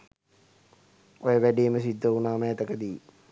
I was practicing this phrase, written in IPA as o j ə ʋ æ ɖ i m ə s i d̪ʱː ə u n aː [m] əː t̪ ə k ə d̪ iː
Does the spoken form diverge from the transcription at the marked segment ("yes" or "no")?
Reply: no